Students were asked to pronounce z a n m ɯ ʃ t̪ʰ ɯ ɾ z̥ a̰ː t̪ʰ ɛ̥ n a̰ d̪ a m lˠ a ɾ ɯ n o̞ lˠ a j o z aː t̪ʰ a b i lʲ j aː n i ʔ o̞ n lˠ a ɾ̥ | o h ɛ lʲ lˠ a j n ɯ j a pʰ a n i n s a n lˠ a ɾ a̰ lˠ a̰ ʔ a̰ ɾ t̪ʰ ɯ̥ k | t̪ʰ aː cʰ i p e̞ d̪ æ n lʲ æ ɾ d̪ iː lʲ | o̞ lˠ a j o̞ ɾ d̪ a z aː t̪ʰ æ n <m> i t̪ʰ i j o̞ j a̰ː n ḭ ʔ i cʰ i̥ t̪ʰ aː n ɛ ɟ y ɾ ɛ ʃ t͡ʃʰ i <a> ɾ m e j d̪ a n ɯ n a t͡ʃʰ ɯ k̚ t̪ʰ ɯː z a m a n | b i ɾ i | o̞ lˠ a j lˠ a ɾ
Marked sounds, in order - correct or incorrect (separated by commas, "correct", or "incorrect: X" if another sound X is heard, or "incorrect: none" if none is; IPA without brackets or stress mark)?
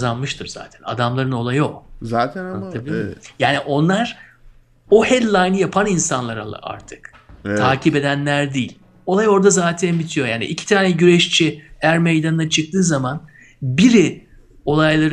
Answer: incorrect: b, incorrect: æ